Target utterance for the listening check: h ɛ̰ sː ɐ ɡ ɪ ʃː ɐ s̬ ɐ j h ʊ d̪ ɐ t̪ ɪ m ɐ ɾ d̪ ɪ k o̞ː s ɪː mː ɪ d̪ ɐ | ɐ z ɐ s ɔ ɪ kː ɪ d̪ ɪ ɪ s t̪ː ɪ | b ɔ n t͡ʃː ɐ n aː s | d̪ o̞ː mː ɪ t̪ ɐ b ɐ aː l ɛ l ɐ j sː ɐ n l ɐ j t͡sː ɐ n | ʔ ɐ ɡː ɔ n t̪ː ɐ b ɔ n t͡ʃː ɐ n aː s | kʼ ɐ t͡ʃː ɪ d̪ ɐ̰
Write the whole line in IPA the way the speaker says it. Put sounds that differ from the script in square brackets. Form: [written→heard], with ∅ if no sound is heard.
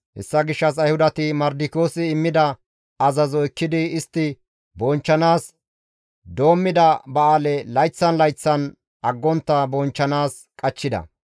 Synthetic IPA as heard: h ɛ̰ sː ɐ ɡ ɪ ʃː ɐ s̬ ɐ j h ʊ d̪ ɐ t̪ ɪ m ɐ ɾ d̪ ɪ k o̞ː s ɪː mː ɪ d̪ ɐ | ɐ z ɐ [s→z] ɔ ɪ kː ɪ d̪ ɪ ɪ s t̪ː ɪ | b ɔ n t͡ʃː ɐ n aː s | d̪ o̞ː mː ɪ [t̪→d̪] ɐ b ɐ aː l ɛ l ɐ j [sː→t͡sː] ɐ n l ɐ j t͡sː ɐ n | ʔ ɐ ɡː ɔ n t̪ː ɐ b ɔ n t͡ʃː ɐ n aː s | kʼ ɐ t͡ʃː ɪ d̪ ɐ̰